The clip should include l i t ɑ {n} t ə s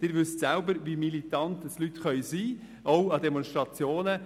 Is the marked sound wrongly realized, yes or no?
no